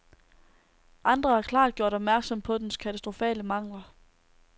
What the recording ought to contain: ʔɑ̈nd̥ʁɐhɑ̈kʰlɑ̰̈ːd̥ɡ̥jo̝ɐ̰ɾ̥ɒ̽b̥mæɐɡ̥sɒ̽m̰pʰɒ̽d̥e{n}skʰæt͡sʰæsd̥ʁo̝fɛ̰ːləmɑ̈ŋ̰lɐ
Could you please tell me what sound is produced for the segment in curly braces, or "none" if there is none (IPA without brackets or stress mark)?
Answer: n